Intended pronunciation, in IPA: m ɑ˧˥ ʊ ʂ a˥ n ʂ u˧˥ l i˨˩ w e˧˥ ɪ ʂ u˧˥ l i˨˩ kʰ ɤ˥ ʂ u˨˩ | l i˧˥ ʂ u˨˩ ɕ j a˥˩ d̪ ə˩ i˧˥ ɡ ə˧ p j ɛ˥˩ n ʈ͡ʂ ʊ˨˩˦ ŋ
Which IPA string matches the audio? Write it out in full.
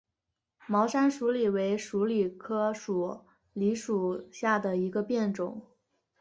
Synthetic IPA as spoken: m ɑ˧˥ ʊ ʂ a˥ n ʂ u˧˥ l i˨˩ w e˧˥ ɪ ʂ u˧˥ l i˨˩ kʰ ɤ˥ ʂ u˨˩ | l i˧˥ ʂ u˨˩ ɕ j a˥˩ d̪ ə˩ i˧˥ ɡ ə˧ p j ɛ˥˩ n ʈ͡ʂ ʊ˨˩˦ ŋ